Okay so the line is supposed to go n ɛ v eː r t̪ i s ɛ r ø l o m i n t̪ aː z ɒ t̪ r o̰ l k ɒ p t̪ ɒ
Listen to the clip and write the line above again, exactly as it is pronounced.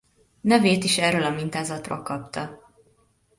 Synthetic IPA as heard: n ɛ v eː t̪ i ʃ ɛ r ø l ɒ m i n t̪ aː z ɒ t̪ r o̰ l k ɒ p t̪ ɒ